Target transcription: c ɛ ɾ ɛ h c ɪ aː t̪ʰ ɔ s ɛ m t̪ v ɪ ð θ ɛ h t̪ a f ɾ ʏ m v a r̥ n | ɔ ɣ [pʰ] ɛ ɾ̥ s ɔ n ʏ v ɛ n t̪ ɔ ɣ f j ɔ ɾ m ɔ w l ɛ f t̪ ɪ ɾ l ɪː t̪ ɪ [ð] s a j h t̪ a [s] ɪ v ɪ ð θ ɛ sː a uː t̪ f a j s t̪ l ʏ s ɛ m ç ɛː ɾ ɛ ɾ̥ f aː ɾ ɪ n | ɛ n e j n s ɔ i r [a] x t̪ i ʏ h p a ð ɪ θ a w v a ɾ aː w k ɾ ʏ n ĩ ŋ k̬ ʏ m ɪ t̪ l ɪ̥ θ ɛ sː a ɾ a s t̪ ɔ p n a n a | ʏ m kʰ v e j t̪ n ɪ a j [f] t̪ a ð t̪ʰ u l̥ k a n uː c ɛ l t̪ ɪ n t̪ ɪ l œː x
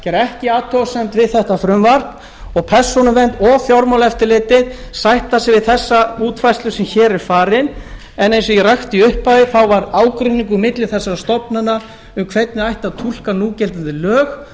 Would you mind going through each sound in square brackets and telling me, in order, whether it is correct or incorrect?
correct, correct, correct, correct, incorrect

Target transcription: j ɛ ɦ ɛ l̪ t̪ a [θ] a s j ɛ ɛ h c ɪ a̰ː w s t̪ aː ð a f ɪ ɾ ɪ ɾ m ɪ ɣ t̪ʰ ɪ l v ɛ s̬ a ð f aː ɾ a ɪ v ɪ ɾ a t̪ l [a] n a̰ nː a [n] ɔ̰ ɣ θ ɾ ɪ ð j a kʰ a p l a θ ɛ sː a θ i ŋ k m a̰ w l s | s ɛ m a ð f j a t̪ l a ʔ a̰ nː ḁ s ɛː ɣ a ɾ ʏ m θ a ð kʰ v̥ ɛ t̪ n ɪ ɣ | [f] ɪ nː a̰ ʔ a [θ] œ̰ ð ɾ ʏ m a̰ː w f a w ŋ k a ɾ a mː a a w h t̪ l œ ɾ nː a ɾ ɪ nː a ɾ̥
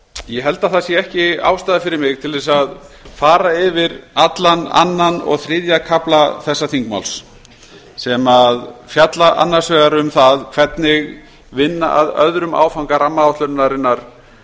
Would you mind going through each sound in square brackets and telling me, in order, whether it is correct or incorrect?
correct, correct, correct, incorrect, incorrect

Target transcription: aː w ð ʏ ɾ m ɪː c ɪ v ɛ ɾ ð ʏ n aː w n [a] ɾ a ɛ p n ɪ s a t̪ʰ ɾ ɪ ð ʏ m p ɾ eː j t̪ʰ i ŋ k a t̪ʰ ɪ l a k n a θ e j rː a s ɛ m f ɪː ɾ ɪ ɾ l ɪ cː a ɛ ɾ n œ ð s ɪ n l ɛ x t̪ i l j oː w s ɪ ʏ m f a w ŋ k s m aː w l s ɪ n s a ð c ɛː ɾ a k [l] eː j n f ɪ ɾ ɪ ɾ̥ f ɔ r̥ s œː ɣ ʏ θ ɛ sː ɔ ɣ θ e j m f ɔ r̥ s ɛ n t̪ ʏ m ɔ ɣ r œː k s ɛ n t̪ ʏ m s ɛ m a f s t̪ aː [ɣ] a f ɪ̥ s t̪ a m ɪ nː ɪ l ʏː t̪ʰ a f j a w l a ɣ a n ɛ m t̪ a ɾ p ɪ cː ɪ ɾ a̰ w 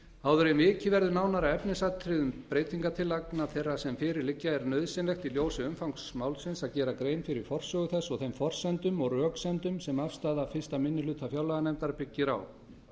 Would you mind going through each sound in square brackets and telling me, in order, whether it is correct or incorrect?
correct, incorrect, incorrect

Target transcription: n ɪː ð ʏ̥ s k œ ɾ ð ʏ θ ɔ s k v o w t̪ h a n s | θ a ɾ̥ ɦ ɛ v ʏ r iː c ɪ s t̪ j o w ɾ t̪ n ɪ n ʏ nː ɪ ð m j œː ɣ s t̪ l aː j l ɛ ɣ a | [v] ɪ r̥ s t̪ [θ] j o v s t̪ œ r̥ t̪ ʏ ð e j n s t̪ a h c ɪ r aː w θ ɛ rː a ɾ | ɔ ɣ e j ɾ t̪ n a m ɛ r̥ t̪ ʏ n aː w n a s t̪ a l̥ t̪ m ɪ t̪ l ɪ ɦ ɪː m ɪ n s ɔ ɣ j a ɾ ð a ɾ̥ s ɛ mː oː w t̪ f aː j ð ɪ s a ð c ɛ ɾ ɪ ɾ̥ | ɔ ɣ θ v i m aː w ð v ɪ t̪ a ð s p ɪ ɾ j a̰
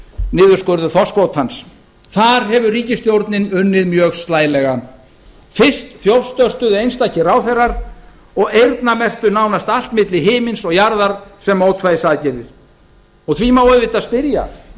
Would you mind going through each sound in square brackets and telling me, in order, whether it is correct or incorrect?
incorrect, correct

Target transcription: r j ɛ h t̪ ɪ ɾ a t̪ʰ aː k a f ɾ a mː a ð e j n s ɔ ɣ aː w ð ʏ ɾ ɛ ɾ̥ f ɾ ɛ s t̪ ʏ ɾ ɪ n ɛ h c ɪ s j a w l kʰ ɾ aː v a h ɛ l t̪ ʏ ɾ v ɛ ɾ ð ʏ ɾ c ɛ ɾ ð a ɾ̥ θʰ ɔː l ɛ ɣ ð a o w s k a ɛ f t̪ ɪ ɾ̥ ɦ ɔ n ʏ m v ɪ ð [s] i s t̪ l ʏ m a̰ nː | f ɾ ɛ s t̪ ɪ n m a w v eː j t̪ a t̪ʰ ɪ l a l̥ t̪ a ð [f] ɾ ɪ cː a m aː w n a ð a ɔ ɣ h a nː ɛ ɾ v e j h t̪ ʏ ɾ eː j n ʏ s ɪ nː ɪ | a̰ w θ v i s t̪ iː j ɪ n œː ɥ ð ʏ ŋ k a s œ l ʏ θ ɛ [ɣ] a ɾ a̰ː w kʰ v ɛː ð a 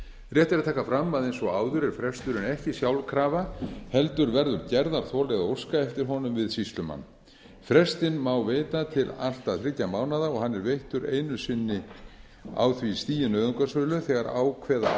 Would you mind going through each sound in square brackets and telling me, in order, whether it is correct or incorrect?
correct, incorrect, correct

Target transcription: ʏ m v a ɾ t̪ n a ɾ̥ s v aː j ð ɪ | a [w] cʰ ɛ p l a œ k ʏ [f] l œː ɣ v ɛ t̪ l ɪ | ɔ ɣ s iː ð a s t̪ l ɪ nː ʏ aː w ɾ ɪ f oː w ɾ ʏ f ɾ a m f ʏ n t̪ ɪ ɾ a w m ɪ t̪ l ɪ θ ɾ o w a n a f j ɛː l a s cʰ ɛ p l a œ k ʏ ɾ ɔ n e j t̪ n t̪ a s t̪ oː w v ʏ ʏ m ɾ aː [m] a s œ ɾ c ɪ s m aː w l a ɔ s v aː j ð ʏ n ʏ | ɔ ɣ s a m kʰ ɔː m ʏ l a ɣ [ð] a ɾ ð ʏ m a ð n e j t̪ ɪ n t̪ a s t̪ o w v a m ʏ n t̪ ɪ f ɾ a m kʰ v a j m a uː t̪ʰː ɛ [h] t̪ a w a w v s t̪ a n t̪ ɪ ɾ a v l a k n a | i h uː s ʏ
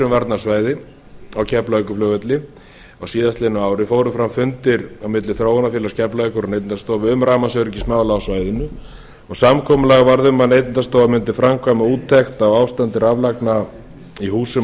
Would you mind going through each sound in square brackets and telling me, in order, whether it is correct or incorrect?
correct, correct, correct, incorrect, incorrect

